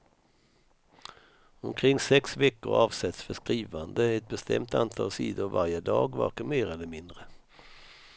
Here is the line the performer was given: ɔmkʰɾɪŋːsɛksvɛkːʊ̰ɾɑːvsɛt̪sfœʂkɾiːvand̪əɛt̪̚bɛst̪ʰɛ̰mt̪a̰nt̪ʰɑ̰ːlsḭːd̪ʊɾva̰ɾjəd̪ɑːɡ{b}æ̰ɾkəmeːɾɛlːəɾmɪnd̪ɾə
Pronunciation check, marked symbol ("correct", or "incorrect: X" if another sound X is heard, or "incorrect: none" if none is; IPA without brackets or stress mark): incorrect: v